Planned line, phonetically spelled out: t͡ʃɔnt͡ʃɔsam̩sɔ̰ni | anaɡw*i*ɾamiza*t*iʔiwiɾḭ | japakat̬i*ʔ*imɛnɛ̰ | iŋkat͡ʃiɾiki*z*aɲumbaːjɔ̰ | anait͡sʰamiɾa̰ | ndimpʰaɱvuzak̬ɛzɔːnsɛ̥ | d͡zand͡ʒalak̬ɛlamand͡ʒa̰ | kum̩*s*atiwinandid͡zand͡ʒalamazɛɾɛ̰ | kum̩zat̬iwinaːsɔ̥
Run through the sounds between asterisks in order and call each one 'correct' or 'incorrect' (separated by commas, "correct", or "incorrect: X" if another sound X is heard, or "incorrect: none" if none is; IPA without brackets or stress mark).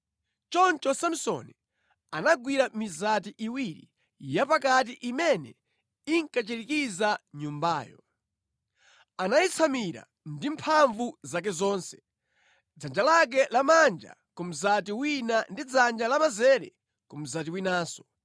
correct, correct, correct, correct, incorrect: z